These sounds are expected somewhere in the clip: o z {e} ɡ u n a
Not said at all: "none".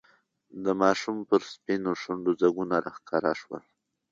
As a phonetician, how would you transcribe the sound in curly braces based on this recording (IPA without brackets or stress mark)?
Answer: a